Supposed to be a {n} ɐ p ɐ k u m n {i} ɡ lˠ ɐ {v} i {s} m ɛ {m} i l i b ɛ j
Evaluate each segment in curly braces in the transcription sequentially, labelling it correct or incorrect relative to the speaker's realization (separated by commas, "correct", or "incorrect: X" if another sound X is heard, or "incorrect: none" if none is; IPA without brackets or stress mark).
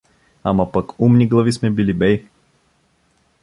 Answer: incorrect: m, correct, correct, correct, incorrect: b